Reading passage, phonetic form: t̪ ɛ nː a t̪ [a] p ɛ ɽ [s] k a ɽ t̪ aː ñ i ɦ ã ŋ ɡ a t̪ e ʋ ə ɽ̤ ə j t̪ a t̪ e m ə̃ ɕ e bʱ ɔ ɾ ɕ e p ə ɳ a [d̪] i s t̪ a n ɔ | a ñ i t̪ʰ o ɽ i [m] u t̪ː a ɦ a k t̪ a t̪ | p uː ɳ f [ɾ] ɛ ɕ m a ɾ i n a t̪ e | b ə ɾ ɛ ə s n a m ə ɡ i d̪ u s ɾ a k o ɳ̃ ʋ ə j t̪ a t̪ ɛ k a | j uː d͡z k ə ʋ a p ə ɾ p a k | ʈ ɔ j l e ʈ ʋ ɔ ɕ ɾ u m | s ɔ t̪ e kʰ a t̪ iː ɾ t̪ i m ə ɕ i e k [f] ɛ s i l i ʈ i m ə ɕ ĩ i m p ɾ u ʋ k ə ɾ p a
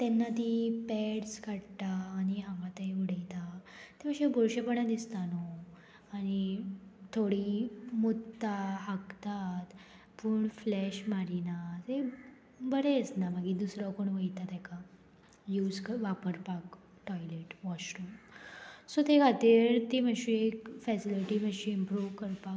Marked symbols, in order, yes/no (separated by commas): no, yes, yes, yes, no, yes